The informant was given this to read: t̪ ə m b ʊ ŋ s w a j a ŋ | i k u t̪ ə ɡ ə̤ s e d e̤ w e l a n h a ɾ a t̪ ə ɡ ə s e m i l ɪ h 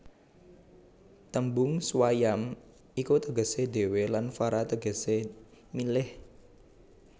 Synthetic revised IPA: t̪ ə m b ʊ ŋ s w a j a m | i k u t̪ ə ɡ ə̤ s e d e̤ w e l a n f a ɾ a t̪ ə ɡ ə s e m i l ɪ h